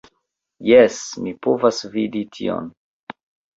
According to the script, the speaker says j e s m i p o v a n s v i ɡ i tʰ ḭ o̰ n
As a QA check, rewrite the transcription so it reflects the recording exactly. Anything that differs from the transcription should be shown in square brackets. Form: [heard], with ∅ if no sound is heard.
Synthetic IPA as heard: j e s m i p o v a [∅] s v i [d] i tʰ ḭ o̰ n